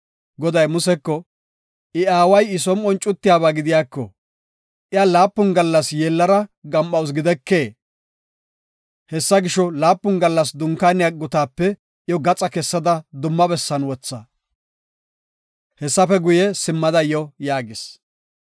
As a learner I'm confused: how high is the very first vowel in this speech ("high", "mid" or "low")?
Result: mid